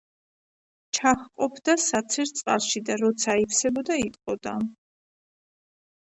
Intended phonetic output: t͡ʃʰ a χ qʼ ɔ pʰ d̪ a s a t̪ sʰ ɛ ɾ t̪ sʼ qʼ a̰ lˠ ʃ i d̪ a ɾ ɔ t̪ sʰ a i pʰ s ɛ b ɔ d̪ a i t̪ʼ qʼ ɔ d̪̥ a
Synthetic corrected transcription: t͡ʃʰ a χ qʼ ɔ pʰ d̪ a s a t̪ sʰ ɛ ɾ t̪ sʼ qʼ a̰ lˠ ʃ i d̪ a ɾ ɔ t̪ sʰ a i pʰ s ɛ b ɔ d̪ a i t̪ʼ qʼ ɔ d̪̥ a